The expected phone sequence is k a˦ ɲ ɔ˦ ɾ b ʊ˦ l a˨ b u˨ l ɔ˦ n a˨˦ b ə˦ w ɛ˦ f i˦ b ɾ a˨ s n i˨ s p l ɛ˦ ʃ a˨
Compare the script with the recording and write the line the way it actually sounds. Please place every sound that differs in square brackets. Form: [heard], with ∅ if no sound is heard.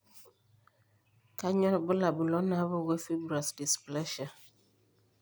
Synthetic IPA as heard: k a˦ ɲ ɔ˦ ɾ b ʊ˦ l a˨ b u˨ l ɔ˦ n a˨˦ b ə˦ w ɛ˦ f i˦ b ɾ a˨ s [d] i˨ s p l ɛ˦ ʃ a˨

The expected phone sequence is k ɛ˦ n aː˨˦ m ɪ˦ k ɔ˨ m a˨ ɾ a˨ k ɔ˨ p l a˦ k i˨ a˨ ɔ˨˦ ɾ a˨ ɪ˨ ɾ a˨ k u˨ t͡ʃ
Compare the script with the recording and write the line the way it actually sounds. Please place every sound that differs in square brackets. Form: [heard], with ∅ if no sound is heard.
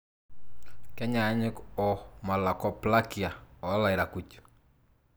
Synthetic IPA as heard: k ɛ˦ [ɲ] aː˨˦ [ɲ] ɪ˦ k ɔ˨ m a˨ [l] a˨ k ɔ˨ p l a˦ k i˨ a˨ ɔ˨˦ [l] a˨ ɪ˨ ɾ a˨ k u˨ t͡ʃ

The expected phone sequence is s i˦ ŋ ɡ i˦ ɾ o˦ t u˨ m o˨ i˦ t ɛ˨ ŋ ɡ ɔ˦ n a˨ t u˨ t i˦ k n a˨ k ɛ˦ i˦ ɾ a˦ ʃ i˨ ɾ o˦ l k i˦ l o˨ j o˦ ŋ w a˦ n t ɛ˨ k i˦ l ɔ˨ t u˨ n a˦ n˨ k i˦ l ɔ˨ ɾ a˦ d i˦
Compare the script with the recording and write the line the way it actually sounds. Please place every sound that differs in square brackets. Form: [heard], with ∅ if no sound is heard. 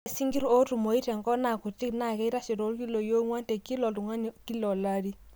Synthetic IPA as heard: s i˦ ŋ ɡ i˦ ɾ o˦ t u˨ m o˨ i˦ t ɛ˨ ŋ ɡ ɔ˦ n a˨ [k] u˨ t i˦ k n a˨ k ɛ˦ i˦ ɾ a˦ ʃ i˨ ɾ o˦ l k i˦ l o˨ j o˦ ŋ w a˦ n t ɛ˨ k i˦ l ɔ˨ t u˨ [ŋ] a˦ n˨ k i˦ l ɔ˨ [l] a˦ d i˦

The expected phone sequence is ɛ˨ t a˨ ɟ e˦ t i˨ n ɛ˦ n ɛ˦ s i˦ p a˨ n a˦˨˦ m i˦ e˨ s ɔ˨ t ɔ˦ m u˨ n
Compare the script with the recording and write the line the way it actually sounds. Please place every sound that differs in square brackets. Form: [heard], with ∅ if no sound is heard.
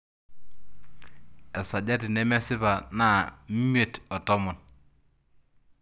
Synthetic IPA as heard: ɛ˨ [s] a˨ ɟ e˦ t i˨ n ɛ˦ [m] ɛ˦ s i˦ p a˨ n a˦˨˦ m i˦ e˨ [t] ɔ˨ t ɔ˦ m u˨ n

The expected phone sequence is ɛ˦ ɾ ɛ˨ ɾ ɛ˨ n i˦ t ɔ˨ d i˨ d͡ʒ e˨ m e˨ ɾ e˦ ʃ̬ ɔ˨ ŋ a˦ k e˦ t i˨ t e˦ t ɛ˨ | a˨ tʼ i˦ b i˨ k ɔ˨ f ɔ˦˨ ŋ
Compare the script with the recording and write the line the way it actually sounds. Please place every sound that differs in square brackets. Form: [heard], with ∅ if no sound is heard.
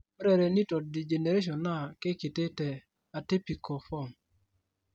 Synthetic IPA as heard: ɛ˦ ɾ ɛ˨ ɾ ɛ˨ n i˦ t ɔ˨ d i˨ d͡ʒ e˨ [n] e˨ ɾ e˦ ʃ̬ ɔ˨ [n] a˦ k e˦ [k] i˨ t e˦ t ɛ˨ | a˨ [t] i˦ [p] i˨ k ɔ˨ f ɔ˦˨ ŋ

